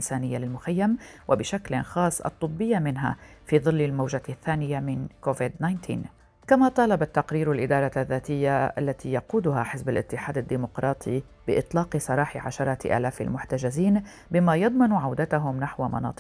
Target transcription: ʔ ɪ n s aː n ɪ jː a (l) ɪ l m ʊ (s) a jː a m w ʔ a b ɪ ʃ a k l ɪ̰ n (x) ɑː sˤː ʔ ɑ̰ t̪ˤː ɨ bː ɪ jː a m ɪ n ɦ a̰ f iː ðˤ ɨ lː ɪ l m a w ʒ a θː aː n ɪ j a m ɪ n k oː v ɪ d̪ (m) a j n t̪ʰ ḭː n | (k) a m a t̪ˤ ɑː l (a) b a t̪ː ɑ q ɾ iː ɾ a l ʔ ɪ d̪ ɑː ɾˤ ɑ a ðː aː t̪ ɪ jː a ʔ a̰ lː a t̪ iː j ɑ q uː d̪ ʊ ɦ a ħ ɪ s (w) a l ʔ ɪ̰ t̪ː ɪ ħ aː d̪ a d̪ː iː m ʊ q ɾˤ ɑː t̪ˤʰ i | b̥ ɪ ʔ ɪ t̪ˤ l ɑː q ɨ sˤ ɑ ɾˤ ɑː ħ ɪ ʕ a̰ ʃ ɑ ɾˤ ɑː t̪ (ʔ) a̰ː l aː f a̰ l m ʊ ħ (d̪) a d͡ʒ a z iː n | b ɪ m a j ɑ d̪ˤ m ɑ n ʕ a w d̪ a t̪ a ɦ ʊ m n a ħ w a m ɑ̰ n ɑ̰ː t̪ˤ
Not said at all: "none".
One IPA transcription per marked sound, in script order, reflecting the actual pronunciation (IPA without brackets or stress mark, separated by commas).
l, x, x, n, k, ɑ, b, ʔ, t̪